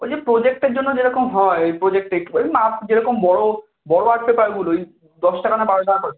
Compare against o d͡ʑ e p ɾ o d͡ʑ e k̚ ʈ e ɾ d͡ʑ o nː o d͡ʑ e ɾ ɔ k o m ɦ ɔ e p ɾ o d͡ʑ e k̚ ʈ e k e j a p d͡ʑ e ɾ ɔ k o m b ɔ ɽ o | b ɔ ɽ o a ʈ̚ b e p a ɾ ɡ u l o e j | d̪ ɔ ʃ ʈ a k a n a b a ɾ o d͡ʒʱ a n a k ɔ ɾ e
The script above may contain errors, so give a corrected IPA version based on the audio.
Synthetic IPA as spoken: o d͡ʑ e p ɾ o d͡ʑ e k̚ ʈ e ɾ d͡ʑ o nː o d͡ʑ e ɾ ɔ k o m ɦ ɔ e p ɾ o d͡ʑ e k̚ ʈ e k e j a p d͡ʑ e ɾ ɔ k o m b ɔ ɽ o | b ɔ ɽ o a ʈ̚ p e p a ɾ ɡ u l o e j | d̪ ɔ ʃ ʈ a k a n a b a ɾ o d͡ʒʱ a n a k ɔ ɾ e